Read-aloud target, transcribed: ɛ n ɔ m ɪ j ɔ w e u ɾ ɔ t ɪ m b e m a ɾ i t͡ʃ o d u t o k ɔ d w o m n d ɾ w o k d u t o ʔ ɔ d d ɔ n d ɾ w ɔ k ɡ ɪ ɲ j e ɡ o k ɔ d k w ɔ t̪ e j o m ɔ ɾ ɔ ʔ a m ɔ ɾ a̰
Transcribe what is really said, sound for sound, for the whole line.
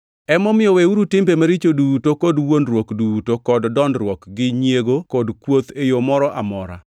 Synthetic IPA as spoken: ɛ m ɔ m ɪ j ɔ w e u ɾ u t ɪ m b e m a ɾ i t͡ʃ o d u t o k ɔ d w o n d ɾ w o k d u t o k ɔ d d ɔ n d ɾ w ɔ k ɡ ɪ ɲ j e ɡ o k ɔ d k w o t̪ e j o m ɔ ɾ ɔ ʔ a m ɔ ɾ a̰